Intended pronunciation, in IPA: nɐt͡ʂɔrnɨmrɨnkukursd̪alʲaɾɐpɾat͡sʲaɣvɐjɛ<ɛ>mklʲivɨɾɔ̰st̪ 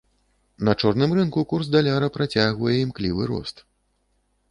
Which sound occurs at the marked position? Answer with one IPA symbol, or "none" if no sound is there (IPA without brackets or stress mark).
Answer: i